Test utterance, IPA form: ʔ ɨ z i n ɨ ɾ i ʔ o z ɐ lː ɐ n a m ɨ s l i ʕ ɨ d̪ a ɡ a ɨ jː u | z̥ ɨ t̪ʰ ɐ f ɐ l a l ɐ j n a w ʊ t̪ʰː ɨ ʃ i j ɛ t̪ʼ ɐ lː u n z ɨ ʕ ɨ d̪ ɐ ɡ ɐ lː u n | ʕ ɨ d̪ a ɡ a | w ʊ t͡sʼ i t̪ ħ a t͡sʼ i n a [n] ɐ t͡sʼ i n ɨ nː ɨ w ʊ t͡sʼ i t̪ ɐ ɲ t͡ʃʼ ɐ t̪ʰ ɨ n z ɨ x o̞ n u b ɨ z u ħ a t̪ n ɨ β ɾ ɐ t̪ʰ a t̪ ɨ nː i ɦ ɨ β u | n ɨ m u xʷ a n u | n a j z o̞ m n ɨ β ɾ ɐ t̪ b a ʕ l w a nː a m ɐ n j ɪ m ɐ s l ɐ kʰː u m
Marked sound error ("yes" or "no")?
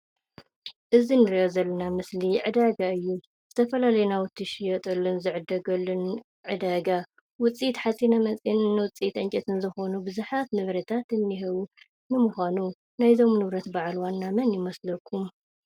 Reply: yes